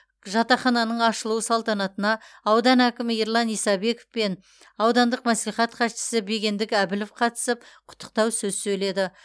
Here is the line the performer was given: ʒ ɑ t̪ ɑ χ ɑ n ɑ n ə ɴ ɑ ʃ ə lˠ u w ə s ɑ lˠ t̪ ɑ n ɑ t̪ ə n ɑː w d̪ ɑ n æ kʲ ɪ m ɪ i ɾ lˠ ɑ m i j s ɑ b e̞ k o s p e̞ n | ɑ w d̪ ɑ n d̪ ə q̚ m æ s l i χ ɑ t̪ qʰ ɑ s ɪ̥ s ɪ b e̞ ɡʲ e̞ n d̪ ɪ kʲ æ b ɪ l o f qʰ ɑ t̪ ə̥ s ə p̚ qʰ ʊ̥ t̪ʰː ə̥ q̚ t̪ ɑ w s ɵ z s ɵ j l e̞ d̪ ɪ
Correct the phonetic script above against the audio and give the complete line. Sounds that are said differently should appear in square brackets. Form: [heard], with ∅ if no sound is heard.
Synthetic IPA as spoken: ʒ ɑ t̪ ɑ χ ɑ n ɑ n ə ɴ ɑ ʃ ə lˠ u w ə s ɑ lˠ t̪ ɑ n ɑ t̪ ə n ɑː w d̪ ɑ n æ kʲ ɪ m ɪ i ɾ lˠ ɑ [n] i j s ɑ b e̞ k o [f] p e̞ n | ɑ w d̪ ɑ n d̪ ə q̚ m æ s l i χ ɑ t̪ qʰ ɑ [ʃ] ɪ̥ s ɪ b e̞ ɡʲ e̞ n d̪ ɪ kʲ æ b ɪ l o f qʰ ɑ t̪ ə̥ s ə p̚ qʰ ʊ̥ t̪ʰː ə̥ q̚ t̪ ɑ w s ɵ z s ɵ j l e̞ d̪ ɪ